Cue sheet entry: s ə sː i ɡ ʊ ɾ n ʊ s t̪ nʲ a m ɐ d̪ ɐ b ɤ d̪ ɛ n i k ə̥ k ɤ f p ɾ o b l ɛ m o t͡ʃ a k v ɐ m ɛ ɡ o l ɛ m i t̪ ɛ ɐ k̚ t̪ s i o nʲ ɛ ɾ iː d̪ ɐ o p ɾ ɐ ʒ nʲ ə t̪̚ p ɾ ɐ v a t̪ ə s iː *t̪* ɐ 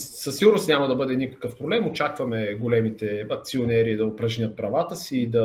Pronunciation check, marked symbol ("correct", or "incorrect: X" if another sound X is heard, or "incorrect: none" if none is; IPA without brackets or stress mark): incorrect: d̪